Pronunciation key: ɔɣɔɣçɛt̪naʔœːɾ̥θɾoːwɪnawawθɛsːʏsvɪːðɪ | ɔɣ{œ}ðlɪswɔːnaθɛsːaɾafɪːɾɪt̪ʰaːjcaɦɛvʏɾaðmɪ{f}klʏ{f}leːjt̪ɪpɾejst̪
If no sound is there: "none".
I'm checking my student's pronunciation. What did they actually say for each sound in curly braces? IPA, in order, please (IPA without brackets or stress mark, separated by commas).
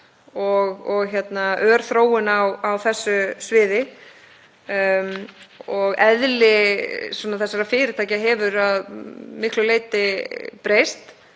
ɛ, h, none